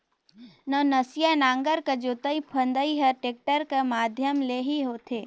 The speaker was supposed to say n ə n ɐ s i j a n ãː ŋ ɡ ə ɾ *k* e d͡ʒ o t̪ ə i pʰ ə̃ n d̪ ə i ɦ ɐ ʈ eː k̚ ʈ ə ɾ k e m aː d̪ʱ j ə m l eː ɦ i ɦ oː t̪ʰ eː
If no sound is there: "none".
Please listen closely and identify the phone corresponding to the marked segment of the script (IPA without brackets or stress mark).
k